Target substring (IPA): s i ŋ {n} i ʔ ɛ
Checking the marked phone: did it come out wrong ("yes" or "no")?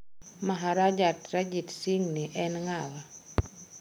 no